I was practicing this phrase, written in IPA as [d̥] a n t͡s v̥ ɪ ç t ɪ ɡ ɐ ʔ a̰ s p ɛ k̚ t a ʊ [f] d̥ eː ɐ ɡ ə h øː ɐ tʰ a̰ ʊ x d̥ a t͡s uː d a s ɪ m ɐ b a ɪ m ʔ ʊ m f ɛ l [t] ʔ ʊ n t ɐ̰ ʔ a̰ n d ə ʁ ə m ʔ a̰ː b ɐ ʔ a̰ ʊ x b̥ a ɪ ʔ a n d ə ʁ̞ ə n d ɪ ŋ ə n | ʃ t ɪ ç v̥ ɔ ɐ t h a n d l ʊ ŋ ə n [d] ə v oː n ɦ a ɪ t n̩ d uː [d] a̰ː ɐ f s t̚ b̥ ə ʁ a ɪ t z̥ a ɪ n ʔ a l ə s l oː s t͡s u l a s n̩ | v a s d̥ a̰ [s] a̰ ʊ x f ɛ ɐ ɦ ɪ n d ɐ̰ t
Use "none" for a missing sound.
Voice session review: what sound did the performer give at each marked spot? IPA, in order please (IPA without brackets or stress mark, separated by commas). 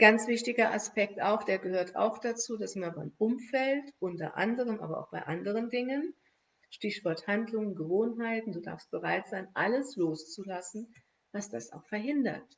ɡ̥, x, t, ɡ, d, s